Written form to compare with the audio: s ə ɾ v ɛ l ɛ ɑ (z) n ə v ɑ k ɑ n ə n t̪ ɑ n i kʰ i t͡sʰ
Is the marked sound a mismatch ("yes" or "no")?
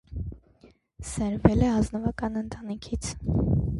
no